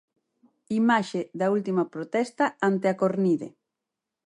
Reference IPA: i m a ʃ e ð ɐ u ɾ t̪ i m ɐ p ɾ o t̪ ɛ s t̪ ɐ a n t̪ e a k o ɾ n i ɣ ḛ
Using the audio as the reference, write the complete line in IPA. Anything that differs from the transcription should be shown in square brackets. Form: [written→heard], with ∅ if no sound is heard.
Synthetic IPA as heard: i m a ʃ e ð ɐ u [ɾ→l] t̪ i m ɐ p ɾ o t̪ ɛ s t̪ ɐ a n t̪ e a k o ɾ n i [ɣ→ð] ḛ